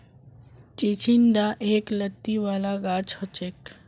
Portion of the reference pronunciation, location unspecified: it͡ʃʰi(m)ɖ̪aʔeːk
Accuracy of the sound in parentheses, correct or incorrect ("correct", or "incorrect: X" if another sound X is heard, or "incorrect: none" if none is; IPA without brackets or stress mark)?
incorrect: n